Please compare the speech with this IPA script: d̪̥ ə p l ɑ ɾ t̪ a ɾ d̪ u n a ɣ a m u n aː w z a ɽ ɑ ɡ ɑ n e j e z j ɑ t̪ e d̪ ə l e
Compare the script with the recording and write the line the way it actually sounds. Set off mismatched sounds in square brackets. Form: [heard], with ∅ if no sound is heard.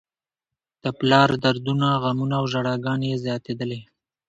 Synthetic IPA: d̪̥ ə p l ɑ ɾ [d̪] a ɾ d̪ u n a ɣ a m u n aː w [ʒ] a ɽ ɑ ɡ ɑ n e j e z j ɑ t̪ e d̪ ə l e